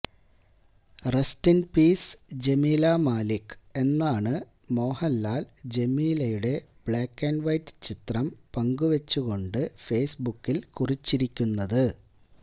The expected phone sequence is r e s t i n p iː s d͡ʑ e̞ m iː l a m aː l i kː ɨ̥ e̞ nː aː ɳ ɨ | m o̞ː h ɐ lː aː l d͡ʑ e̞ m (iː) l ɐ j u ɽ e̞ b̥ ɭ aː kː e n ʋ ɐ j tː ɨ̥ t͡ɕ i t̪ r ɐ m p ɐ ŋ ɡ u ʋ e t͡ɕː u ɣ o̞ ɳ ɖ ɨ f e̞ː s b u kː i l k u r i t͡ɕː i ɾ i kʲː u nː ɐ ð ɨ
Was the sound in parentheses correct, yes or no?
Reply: yes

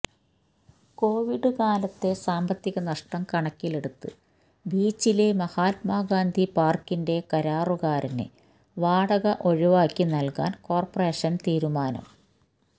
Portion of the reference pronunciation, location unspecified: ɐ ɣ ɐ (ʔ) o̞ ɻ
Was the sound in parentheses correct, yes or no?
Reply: yes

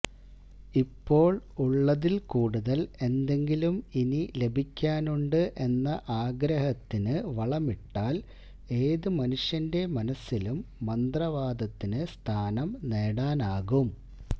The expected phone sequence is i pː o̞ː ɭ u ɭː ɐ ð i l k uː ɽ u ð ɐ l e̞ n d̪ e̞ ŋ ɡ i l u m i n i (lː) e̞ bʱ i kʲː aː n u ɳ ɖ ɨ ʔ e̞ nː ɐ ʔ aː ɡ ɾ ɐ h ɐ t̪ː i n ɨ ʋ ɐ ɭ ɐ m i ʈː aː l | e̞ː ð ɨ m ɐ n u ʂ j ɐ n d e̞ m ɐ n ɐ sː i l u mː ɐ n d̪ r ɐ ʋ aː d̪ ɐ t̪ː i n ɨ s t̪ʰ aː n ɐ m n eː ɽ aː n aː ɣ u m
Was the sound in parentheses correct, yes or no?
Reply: no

